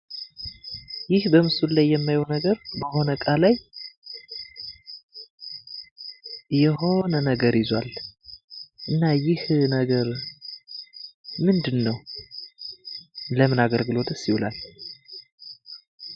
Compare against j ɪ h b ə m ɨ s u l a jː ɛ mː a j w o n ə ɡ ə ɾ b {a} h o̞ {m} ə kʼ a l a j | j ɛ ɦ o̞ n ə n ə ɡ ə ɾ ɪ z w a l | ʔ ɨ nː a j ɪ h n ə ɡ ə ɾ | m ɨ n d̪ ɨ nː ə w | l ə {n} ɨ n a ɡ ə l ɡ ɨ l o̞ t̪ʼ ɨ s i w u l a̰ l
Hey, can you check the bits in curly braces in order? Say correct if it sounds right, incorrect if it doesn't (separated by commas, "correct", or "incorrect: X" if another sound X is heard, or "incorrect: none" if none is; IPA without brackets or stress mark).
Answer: incorrect: ə, incorrect: n, incorrect: m